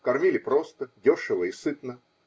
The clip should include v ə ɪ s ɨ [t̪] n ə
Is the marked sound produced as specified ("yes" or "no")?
yes